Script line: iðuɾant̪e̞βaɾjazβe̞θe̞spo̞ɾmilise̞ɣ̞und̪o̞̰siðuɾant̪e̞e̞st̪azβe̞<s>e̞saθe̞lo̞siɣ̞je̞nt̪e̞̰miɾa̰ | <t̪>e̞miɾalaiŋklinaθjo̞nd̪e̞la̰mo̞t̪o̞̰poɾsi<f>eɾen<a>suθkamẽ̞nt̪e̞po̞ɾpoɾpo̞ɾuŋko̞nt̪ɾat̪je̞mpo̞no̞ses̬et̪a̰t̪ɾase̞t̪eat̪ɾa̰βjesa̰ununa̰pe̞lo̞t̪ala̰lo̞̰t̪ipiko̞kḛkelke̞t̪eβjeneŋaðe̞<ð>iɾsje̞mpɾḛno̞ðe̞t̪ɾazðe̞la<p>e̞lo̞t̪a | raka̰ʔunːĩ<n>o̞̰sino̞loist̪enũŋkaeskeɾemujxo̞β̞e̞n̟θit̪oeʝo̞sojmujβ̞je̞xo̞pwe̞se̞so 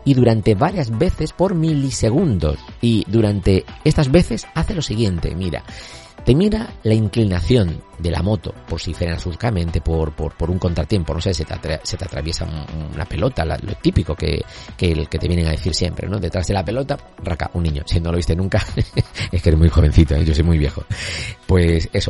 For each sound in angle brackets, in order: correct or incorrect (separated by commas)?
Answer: incorrect, correct, correct, correct, incorrect, correct, incorrect